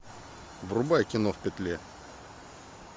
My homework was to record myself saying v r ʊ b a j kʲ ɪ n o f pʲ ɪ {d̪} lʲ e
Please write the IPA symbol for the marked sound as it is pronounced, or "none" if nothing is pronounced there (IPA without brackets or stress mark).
t̪